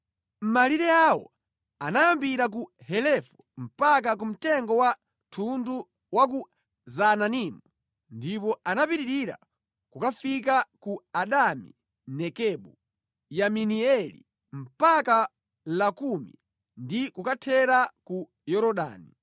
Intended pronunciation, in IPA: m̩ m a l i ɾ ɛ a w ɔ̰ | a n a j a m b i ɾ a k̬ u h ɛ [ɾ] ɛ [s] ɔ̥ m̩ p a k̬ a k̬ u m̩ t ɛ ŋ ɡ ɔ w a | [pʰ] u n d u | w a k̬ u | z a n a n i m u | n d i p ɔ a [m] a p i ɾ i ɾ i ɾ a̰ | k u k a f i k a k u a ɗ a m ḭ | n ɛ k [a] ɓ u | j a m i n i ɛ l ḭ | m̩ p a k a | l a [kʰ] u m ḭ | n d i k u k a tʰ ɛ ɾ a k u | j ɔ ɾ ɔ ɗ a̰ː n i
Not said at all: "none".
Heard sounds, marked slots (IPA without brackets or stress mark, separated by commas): l, f, tʰ, n, ɛ, k